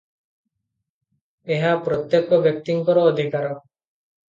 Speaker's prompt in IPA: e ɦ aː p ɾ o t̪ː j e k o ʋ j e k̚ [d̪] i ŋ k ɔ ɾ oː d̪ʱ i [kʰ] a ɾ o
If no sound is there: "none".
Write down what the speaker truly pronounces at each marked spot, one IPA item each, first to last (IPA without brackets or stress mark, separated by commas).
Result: t̪, k